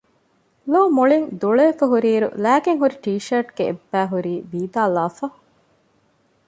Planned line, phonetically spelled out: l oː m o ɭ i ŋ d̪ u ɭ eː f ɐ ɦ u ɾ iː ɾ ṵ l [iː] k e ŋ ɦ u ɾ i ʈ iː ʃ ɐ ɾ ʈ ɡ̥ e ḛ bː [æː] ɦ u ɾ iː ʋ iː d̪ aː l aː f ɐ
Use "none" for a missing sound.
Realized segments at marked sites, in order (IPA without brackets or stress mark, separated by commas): æː, æː